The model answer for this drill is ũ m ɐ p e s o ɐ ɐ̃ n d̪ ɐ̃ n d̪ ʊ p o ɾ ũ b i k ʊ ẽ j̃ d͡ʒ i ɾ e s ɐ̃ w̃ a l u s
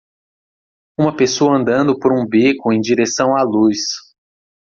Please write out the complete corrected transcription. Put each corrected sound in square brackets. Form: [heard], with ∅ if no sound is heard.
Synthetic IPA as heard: ũ m ɐ p e s o ɐ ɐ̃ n d̪ ɐ̃ n d̪ ʊ p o ɾ ũ b i k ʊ ẽ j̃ d͡ʒ i ɾ e s ɐ̃ w̃ a l u s